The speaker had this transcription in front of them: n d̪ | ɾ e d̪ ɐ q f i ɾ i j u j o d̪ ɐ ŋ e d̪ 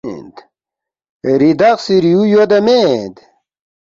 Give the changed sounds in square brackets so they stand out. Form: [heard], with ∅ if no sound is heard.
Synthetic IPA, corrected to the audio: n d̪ | ɾ [i] d̪ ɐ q [s] i ɾ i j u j o d̪ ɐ [m] e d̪

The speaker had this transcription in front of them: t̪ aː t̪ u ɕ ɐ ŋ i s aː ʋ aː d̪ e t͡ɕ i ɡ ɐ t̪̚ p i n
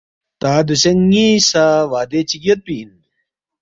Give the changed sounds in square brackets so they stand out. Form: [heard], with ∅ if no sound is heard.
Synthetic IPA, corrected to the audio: t̪ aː [d̪] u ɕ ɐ ŋ i s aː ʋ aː d̪ e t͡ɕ i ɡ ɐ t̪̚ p i n

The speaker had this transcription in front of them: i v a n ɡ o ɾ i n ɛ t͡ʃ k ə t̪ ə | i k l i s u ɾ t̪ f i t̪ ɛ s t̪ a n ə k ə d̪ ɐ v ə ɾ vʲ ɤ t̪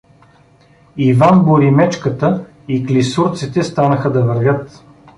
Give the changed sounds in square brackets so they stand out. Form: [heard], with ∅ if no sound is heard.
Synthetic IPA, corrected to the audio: i v a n [b] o ɾ i [m] ɛ t͡ʃ k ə t̪ ə | i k l i s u ɾ t̪ [s] i t̪ ɛ s t̪ a n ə [x] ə d̪ ɐ v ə ɾ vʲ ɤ t̪

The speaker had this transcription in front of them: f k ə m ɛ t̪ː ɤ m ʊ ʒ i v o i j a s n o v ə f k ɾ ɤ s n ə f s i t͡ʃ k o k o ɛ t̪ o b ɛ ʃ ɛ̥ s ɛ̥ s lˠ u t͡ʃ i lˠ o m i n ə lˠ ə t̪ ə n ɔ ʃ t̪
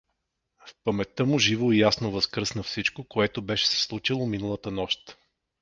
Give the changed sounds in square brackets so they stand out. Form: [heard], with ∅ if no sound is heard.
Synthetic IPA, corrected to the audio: f [p] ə m ɛ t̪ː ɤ m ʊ ʒ i v o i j a s n o v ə [s] k ɾ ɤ s n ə f s i t͡ʃ k o k o ɛ t̪ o b ɛ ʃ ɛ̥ s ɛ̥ s lˠ u t͡ʃ i lˠ o m i n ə lˠ ə t̪ ə n ɔ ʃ t̪

